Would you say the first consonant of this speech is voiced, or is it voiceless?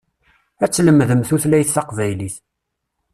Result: voiceless